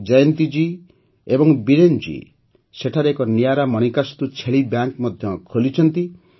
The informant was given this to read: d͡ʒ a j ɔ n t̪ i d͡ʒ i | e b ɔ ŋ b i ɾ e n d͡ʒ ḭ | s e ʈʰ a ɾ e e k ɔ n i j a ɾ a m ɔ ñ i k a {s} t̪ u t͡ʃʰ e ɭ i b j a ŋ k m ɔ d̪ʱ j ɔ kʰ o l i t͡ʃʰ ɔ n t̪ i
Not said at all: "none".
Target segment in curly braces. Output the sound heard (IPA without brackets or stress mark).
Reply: s